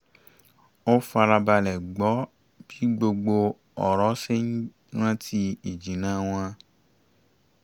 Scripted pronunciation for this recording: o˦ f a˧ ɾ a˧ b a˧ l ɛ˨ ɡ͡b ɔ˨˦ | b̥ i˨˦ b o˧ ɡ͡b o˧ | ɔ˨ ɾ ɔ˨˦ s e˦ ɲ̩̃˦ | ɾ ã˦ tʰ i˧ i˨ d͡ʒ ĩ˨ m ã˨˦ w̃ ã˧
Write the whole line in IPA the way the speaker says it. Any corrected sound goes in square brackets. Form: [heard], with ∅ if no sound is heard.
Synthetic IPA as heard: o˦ f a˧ ɾ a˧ b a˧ l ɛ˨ ɡ͡b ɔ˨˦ | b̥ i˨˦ [ɡ͡b] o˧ ɡ͡b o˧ | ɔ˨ ɾ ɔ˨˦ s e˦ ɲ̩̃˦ | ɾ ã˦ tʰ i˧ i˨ d͡ʒ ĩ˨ [n] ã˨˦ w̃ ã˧